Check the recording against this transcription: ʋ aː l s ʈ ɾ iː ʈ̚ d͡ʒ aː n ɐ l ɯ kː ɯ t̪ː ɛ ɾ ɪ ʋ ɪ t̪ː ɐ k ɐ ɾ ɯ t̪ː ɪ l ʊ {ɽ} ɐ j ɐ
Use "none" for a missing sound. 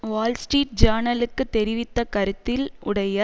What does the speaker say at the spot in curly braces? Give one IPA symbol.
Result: ɽ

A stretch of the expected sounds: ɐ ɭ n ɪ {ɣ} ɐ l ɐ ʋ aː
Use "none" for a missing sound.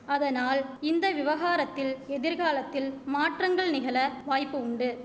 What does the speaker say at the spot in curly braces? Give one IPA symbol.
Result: ɣ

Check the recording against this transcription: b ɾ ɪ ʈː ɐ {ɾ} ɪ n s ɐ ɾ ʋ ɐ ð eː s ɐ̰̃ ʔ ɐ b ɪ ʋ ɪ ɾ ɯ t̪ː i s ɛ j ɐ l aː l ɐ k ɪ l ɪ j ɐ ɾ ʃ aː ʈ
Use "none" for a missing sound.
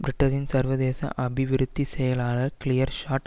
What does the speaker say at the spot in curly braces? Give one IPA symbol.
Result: ɾ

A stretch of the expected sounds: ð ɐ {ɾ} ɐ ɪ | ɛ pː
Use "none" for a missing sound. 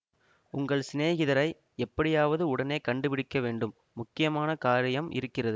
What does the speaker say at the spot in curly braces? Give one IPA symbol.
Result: ɾ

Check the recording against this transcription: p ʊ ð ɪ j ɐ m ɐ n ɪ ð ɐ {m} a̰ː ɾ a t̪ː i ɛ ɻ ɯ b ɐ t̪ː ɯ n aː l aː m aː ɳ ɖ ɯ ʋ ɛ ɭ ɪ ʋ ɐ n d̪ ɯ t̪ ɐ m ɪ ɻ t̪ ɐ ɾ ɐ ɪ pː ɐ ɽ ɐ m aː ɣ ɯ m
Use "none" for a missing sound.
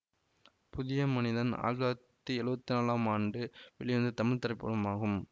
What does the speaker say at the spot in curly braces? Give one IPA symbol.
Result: n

